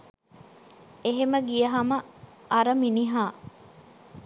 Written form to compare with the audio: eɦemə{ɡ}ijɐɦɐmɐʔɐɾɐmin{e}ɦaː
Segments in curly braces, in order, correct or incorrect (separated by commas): correct, incorrect